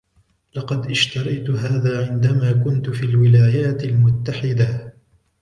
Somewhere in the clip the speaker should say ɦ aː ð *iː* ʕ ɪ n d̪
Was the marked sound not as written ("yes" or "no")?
yes